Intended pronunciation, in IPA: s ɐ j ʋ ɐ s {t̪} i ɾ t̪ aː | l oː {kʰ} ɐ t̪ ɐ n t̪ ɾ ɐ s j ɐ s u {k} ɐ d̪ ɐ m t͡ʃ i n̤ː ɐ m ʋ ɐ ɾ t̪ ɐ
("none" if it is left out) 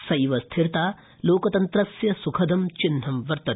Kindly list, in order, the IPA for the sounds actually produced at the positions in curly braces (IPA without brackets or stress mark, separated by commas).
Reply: t̪ʰ, k, kʰ